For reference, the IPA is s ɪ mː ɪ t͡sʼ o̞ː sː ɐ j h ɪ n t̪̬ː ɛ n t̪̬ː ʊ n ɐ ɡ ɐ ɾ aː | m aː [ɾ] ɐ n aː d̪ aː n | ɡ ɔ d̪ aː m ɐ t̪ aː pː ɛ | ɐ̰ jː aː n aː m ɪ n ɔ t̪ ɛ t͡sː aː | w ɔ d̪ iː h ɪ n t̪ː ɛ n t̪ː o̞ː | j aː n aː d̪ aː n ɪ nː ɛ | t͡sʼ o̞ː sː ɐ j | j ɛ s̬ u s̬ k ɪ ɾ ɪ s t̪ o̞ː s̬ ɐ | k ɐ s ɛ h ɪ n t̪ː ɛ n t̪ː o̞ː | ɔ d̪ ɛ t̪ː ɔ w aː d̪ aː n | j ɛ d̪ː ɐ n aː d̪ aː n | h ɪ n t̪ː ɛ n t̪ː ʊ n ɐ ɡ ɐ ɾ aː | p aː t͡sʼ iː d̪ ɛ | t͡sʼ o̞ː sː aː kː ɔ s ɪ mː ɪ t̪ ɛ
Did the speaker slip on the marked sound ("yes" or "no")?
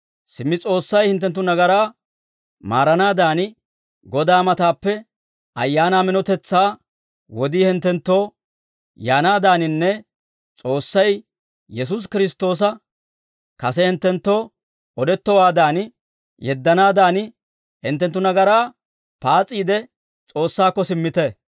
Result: no